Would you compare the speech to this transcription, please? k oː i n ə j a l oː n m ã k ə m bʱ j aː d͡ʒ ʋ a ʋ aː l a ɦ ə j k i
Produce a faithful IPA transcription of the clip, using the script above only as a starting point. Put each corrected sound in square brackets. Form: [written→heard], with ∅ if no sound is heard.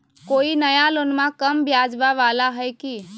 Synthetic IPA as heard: k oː i n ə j a l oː n m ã k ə m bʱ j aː d͡ʒ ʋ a ʋ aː l a ɦ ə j k i